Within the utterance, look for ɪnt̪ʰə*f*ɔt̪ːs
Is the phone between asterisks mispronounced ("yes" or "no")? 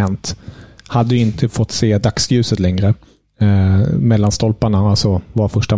no